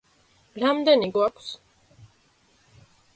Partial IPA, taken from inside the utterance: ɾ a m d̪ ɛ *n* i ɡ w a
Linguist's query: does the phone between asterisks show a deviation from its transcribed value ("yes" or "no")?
no